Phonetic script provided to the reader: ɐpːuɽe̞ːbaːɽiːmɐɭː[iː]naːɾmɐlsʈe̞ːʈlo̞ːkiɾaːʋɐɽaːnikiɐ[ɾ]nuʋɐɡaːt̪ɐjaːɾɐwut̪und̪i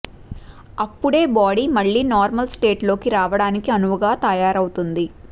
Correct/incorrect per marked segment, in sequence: correct, incorrect: none

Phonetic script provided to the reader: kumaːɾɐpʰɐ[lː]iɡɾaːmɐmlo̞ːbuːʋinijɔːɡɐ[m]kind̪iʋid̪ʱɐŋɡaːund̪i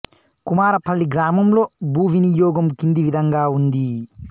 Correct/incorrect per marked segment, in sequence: correct, correct

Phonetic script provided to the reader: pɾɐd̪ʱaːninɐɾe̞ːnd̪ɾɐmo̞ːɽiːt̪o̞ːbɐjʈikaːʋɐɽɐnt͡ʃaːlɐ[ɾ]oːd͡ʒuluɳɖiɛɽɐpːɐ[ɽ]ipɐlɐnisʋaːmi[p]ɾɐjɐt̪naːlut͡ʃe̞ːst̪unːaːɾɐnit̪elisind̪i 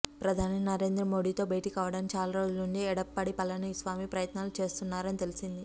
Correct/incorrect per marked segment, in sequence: correct, correct, correct

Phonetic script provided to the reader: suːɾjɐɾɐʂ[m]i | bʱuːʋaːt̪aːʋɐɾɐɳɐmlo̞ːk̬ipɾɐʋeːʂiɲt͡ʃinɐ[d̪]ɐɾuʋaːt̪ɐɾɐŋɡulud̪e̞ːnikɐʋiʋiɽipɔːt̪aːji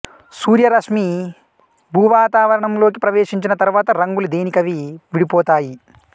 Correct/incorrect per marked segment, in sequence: correct, incorrect: t̪

